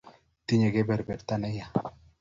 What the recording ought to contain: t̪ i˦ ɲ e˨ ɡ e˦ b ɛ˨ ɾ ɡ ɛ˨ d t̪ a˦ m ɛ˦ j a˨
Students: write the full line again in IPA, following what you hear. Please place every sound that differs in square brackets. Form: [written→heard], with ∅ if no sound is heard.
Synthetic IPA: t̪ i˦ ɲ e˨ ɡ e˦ b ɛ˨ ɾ [ɡ→b] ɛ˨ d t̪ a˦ [m→n] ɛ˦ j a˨